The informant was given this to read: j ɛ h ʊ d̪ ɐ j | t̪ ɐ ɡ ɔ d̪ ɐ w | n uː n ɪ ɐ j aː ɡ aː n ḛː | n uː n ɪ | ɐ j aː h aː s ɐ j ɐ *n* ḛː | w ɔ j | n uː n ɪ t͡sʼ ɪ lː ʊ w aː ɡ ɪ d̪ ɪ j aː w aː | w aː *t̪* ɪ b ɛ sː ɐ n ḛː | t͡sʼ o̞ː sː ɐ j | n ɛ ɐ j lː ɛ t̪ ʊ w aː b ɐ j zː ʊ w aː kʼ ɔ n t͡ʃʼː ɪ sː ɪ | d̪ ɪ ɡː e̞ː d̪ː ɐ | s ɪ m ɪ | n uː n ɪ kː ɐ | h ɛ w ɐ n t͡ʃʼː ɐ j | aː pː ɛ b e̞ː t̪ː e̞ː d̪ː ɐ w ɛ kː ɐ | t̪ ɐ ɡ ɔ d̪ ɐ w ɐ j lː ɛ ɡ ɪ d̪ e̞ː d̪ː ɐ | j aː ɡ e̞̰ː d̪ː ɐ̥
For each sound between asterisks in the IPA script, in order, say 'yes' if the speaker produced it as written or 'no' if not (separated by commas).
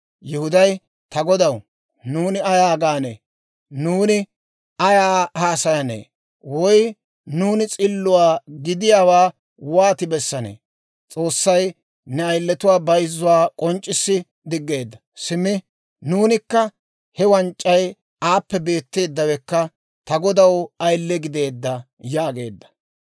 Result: yes, yes